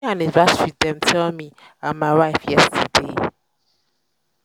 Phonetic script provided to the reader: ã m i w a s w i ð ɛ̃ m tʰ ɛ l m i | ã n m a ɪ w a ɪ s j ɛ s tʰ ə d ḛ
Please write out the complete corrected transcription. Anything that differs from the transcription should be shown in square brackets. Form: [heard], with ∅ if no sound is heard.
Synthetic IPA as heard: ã [n] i [v] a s w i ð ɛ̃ m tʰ ɛ l m i | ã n m a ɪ w a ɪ [f] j ɛ s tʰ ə d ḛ